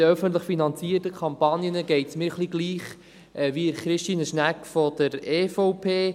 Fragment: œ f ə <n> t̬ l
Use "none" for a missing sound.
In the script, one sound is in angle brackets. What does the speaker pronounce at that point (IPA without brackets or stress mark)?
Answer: n